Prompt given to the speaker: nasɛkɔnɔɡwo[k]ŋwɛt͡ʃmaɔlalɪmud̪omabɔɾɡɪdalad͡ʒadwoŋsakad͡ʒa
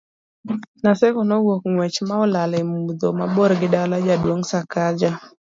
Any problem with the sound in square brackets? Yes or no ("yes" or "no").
no